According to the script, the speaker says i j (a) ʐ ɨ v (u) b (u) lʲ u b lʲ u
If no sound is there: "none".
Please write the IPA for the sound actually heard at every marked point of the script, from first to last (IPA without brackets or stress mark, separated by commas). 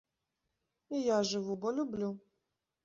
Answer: a, u, ɔ